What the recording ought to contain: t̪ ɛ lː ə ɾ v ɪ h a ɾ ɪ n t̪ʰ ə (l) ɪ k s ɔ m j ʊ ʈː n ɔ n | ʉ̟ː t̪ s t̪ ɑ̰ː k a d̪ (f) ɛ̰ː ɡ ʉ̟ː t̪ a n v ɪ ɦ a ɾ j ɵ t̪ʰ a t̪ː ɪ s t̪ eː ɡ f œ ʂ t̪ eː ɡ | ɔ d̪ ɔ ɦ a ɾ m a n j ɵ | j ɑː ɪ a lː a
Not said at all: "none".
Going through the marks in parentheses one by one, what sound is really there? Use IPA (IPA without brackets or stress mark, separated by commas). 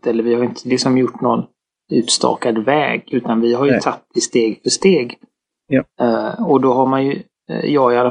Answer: l, v